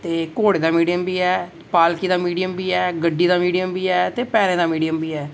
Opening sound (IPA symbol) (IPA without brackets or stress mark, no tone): t̪